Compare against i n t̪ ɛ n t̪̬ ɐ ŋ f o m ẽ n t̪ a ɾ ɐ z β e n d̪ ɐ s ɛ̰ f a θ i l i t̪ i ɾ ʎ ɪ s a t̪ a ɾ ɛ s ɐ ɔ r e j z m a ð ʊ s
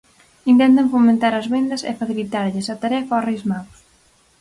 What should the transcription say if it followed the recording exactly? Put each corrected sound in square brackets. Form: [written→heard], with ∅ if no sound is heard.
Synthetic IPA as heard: i n t̪ ɛ n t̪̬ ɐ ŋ f o m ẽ n t̪ a ɾ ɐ z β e n d̪ ɐ s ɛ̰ f a θ i l i t̪ [i→a] ɾ ʎ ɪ s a t̪ a ɾ ɛ [s→f] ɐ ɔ r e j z m a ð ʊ s